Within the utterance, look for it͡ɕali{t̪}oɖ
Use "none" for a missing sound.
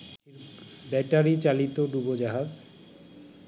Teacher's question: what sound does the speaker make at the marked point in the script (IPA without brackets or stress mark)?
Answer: t̪